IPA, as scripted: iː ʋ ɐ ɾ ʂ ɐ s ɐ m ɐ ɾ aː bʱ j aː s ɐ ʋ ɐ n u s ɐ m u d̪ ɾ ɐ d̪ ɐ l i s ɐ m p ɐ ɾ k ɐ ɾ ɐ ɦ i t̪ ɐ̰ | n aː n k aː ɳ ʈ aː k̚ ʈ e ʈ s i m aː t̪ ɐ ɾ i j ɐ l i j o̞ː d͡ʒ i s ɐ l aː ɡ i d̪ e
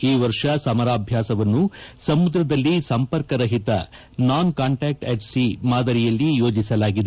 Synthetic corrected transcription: iː ʋ ɐ ɾ ʂ ɐ s ɐ m ɐ ɾ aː bʱ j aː s ɐ ʋ ɐ nː u s ɐ m u d̪ ɾ ɐ d̪ ɐ lː i s ɐ m p ɐ ɾ k ɐ ɾ ɐ ɦ i t̪ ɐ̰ | n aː n k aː ɳ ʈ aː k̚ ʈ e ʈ s i m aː d̪ ɐ ɾ i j ɐ lː i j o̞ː d͡ʒ i s ɐ l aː ɡ i d̪ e